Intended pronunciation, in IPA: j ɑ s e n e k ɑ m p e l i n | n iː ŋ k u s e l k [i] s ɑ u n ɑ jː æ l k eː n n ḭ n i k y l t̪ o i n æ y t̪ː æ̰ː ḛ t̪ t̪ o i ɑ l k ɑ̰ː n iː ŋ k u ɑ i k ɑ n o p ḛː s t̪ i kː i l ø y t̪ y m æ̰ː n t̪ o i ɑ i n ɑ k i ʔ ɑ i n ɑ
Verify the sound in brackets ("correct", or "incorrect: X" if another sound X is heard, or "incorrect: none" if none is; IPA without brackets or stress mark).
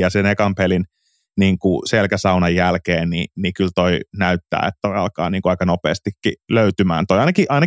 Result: incorrect: æ